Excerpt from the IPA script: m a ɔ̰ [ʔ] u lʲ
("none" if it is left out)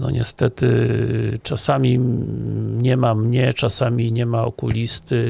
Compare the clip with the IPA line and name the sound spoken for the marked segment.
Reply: k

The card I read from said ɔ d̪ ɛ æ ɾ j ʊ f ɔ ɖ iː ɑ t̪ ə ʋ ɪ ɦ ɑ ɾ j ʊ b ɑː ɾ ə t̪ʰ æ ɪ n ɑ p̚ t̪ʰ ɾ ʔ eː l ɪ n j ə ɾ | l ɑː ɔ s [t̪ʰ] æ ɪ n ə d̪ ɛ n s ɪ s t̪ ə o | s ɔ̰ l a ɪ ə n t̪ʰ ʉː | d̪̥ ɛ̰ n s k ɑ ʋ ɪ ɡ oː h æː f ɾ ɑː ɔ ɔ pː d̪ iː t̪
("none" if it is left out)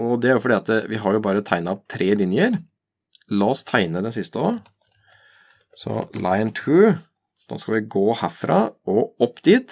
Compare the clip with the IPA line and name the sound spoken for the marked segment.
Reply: t̪ʰ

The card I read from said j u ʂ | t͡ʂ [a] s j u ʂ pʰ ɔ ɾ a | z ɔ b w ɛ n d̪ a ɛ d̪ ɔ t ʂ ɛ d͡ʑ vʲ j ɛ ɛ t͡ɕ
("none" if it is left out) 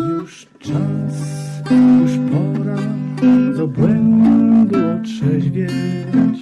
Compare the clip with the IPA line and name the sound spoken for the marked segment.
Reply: a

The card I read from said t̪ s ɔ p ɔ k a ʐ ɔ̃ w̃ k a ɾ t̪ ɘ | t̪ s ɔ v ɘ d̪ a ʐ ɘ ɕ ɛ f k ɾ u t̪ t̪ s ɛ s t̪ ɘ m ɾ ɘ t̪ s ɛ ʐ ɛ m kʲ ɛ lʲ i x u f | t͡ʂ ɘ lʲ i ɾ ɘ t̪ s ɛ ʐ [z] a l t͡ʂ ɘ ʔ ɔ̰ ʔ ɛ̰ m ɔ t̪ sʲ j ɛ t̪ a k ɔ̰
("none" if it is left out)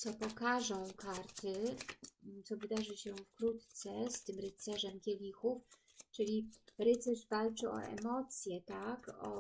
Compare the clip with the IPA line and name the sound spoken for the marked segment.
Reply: v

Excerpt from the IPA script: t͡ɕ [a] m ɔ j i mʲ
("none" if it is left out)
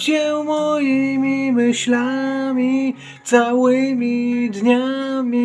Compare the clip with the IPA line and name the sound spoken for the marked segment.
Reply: ɛ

